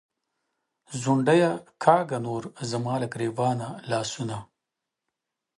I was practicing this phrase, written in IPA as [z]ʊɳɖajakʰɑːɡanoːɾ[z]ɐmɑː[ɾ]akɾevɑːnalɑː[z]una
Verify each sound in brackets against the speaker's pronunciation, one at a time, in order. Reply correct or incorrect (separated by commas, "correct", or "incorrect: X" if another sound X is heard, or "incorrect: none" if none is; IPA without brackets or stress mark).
correct, correct, incorrect: l, incorrect: s